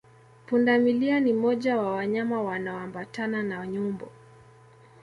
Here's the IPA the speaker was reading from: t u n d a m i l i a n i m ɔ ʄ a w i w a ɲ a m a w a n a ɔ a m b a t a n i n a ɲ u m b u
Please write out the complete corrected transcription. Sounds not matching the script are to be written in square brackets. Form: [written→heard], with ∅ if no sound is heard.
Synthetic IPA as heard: [t→p] u n d a m i l i a n i m ɔ ʄ a w [i→a] w a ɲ a m a w a n a ɔ a m b a t a n [i→a] n a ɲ u m b [u→ɔ]